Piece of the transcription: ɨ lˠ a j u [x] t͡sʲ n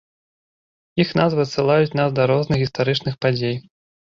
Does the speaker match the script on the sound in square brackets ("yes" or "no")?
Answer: no